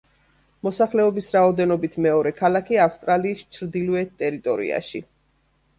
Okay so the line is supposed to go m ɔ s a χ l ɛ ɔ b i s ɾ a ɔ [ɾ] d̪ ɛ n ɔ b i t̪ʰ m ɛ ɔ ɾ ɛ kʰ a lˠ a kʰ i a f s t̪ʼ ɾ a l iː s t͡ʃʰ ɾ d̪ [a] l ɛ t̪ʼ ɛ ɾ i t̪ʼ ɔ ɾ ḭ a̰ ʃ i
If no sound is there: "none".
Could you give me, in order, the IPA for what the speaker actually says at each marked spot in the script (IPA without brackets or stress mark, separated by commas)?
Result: none, i